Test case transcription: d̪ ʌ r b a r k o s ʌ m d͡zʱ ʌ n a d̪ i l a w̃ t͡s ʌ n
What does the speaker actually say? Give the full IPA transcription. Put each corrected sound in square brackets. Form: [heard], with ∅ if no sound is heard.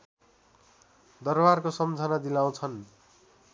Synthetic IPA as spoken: d̪ ʌ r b a r k o s ʌ m d͡zʱ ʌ n a d̪ i l a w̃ [t͡sʰ] ʌ n